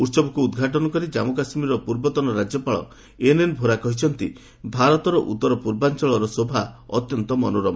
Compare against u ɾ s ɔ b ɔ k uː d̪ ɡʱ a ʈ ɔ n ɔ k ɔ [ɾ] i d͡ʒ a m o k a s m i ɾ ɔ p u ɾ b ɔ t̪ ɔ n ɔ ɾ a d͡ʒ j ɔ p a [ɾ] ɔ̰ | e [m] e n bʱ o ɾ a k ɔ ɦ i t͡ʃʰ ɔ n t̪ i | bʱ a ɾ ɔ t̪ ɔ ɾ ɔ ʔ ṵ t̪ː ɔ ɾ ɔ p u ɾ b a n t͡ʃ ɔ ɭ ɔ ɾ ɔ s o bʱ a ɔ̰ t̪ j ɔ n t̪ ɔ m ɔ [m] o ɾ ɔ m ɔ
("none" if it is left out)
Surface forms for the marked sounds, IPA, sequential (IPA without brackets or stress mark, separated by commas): ɾ, ɭ, n, n